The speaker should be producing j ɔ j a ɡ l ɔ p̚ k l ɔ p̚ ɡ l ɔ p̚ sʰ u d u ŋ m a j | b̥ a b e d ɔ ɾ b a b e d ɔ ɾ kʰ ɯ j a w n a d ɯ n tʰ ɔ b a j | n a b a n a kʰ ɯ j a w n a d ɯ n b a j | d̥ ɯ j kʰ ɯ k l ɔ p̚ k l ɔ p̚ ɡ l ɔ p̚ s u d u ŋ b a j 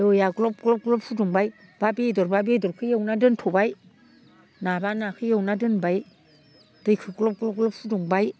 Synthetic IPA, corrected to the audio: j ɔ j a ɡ l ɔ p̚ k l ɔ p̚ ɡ l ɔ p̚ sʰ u d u ŋ b a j | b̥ a b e d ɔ ɾ b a b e d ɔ ɾ kʰ ɯ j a w n a d ɯ n tʰ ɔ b a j | n a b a n a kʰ ɯ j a w n a d ɯ n b a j | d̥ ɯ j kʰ ɯ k l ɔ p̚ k l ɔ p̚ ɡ l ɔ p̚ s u d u ŋ b a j